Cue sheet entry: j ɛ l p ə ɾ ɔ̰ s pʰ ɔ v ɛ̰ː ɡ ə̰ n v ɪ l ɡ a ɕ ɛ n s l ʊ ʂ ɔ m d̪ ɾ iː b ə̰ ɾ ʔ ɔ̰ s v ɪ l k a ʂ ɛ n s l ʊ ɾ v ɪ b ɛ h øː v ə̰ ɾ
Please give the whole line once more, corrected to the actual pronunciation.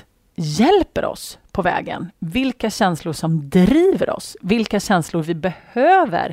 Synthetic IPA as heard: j ɛ l p ə ɾ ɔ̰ s pʰ ɔ v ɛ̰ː ɡ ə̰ n v ɪ l k a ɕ ɛ n s l ʊ ʂ ɔ m d̪ ɾ iː v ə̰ ɾ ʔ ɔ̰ s v ɪ l k a ɕ ɛ n s l ʊ ɾ v ɪ b ɛ h øː v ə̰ ɾ